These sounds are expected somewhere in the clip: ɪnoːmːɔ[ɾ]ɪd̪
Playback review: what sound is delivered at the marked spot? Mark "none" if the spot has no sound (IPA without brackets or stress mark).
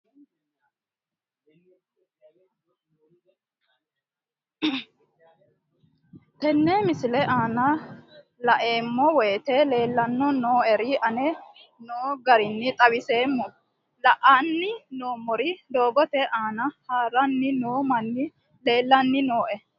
ɾ